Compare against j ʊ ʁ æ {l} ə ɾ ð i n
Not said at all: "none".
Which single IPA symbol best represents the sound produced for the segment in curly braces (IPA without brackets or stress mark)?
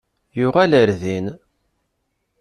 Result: l